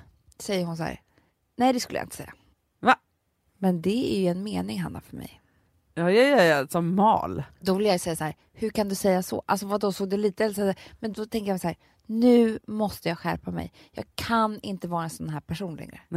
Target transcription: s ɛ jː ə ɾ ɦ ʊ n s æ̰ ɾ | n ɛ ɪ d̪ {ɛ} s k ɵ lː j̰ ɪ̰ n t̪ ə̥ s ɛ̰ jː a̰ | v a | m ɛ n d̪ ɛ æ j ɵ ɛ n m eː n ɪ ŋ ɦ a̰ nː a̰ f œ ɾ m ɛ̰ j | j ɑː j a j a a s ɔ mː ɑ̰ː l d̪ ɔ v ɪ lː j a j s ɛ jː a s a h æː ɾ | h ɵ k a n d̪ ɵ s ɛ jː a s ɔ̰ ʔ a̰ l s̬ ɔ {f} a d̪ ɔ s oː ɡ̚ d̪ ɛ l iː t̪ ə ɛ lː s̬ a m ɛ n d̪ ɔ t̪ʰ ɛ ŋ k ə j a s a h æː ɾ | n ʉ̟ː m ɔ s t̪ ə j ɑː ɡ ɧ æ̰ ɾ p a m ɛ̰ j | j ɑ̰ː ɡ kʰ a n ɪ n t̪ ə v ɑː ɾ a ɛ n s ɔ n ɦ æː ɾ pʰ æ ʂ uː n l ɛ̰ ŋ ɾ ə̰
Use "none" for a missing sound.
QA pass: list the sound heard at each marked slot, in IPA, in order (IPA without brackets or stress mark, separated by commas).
ɛ, v